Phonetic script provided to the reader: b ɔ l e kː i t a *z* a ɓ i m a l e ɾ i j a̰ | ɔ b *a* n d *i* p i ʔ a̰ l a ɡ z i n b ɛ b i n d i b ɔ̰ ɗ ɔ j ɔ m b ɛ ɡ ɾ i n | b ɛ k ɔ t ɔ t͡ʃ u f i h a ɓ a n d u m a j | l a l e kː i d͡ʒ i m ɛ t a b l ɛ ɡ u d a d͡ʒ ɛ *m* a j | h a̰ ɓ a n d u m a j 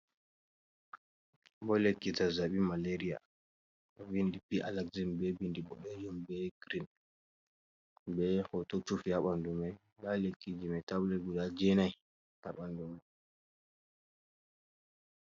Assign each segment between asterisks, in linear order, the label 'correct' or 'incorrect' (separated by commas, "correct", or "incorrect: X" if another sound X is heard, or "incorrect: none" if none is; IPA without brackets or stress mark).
correct, incorrect: i, correct, incorrect: n